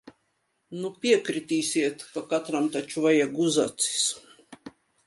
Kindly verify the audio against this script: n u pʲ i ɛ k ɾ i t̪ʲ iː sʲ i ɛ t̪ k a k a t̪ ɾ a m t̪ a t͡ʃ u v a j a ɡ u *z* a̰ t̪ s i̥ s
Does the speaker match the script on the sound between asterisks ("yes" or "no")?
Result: yes